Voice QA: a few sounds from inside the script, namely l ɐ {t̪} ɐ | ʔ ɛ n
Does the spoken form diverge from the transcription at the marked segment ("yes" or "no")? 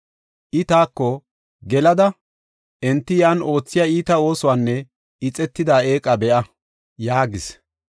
yes